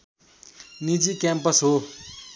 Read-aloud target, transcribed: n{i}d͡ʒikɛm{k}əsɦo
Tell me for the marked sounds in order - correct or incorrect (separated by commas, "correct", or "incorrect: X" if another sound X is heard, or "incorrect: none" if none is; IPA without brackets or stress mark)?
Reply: correct, incorrect: p